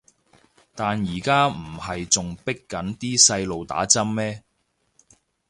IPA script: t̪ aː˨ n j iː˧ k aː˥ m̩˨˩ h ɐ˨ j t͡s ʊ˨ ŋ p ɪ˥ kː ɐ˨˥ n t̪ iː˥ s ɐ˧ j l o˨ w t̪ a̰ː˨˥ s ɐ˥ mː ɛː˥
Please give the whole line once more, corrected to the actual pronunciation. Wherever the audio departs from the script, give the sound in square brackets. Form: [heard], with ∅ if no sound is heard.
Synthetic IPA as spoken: t̪ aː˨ n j [iː˨˩] k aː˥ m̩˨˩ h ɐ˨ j t͡s ʊ˨ ŋ p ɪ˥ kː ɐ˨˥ n t̪ iː˥ s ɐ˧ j l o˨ w t̪ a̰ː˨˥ [t͡s] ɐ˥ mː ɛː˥